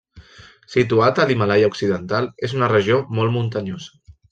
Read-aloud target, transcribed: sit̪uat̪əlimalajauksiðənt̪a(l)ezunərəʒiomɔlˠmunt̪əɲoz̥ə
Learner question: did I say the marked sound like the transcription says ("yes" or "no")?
yes